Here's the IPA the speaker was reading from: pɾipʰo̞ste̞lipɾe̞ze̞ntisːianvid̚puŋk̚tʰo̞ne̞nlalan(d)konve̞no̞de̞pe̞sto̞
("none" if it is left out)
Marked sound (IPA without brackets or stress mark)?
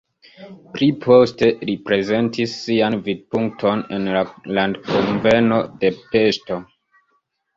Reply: d